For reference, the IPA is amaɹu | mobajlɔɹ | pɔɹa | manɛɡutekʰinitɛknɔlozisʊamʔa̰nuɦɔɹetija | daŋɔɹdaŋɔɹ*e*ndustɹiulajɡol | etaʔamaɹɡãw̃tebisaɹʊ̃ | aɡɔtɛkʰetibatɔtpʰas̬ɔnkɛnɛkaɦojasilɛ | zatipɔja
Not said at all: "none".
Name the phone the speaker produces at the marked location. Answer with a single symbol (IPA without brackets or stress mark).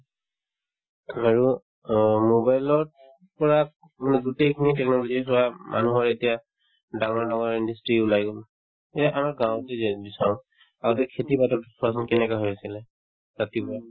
i